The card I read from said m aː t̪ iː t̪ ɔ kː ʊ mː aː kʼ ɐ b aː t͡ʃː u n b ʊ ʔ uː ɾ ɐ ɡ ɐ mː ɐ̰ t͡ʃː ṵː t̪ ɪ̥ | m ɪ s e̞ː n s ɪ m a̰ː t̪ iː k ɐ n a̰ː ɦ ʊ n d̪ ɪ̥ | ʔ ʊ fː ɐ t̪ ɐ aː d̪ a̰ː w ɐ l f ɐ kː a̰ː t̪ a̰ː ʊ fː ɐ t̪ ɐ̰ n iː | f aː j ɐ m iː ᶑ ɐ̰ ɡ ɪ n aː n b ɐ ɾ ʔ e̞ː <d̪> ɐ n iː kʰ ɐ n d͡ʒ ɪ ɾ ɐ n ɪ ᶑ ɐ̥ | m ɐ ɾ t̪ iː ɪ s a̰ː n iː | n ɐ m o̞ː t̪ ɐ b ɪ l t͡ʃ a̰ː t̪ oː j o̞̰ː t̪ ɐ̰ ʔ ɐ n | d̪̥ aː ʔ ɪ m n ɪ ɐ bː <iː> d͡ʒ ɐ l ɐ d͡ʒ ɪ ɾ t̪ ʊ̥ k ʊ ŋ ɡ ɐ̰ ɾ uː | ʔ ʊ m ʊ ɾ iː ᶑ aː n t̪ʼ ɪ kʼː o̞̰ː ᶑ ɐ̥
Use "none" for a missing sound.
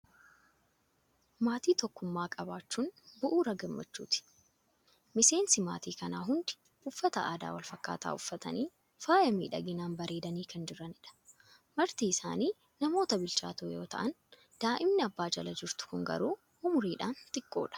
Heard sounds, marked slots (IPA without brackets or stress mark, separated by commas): d̪, aː